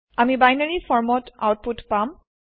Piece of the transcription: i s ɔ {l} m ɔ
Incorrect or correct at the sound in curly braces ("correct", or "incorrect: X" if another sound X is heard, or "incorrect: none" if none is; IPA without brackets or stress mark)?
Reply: incorrect: ɹ